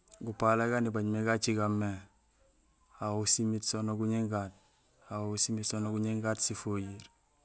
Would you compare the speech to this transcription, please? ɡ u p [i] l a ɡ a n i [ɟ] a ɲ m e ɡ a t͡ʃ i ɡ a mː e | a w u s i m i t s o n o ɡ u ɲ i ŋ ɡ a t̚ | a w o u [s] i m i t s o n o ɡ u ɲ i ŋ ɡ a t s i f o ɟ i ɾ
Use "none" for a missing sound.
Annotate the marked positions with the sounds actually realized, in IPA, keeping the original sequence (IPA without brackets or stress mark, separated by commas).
a, b, s